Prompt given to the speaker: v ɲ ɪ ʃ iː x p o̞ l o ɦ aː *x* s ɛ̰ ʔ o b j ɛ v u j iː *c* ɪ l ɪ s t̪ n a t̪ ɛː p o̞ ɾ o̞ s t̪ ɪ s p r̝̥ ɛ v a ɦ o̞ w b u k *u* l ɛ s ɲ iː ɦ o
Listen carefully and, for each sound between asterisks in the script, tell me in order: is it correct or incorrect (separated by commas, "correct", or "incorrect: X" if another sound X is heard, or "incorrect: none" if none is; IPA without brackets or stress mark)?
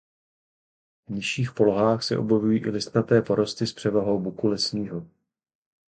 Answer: correct, incorrect: ʔ, correct